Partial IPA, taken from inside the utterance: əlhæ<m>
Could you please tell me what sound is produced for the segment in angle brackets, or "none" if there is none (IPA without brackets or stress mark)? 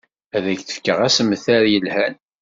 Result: n